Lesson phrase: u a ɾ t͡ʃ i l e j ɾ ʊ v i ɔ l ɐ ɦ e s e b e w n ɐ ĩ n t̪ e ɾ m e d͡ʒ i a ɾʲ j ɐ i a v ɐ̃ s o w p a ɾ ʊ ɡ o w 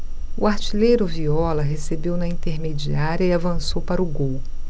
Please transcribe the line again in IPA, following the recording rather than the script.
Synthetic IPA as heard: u a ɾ t͡ʃ i l e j ɾ ʊ v i ɔ l ɐ ɦ e s e b e w n ɐ ĩ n t̪ e ɾ m e d͡ʒ i a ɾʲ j ɐ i a v ɐ̃ s o w p a ɾ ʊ ɡ o w